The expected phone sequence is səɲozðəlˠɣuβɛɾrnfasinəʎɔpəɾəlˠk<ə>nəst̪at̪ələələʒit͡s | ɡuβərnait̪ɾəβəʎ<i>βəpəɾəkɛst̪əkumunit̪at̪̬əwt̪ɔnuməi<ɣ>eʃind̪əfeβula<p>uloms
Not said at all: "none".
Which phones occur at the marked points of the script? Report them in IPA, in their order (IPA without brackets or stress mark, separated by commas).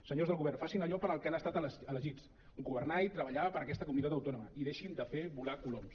a, a, ð, k